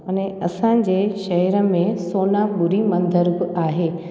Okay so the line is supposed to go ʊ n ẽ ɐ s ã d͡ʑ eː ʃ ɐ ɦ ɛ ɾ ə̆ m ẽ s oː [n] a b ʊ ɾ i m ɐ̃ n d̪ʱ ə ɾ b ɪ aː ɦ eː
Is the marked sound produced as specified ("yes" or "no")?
yes